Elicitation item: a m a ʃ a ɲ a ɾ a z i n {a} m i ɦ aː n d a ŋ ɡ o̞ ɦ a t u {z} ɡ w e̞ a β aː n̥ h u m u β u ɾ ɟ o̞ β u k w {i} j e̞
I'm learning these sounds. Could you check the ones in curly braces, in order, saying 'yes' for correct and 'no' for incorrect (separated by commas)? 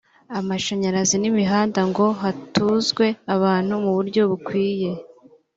no, yes, no